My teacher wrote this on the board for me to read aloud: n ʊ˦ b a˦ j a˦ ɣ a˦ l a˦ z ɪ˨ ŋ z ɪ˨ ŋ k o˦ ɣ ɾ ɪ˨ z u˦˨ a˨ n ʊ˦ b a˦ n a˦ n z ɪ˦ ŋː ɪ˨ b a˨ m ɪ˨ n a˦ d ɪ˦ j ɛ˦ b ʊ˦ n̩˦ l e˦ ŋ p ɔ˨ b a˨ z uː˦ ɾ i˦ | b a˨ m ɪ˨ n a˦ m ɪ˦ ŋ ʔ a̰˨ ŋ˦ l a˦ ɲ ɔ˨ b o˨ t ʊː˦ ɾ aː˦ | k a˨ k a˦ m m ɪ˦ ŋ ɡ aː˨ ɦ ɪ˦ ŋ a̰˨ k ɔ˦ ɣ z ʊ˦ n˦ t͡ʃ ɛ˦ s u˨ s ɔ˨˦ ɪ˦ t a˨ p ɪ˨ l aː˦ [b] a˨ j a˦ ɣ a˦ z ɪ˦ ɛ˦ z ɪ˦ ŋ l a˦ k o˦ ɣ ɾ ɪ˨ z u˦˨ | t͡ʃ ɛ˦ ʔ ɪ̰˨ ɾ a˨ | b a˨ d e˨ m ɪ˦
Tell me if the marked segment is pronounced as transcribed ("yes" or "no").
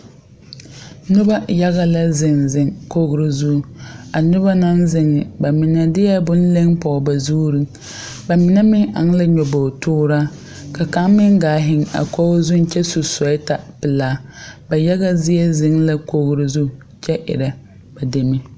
yes